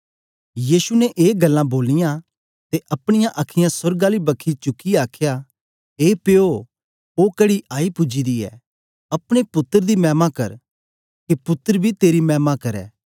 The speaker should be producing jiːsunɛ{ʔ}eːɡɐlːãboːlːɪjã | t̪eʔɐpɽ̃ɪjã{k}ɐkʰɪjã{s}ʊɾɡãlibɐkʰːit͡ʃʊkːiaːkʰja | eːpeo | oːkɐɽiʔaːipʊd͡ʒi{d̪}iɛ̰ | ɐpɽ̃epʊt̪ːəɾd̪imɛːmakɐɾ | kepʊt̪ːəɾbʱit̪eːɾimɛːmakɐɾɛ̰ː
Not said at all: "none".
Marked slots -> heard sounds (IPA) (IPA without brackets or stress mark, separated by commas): ʔ, ʔ, s, d̪